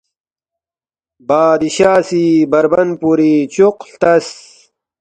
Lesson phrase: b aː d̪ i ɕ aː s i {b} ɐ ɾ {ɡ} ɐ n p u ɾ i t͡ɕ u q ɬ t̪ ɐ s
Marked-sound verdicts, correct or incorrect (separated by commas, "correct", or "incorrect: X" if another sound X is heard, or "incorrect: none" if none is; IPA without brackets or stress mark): correct, incorrect: b